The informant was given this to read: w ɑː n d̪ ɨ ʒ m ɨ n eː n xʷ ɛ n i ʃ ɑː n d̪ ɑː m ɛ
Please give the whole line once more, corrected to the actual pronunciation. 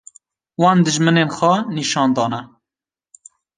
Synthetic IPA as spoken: w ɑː n d̪ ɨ ʒ m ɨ n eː n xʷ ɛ n i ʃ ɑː n d̪ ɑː n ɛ